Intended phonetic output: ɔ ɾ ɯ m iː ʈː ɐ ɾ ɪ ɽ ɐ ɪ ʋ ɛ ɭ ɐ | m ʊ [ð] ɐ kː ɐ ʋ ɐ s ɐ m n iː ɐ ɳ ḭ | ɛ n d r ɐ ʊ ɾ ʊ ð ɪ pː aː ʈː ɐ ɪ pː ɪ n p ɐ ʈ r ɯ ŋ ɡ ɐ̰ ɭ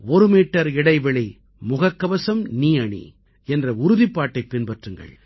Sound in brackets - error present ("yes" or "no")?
yes